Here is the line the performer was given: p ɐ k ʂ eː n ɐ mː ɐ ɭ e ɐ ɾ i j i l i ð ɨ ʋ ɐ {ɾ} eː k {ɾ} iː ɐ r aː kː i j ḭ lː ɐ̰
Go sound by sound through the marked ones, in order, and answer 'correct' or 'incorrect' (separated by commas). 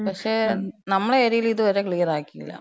correct, incorrect